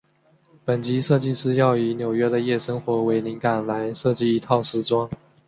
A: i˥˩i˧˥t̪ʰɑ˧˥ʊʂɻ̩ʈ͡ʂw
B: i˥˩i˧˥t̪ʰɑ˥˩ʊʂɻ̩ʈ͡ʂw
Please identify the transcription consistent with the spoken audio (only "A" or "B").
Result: B